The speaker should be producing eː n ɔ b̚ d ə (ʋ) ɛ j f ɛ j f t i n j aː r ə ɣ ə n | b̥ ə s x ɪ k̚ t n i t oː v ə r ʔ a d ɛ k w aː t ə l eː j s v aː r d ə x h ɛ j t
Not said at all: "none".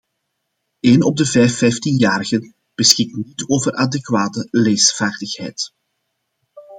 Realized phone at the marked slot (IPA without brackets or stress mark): v